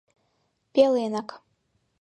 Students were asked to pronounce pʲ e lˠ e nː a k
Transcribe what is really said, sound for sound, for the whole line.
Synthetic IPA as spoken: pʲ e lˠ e n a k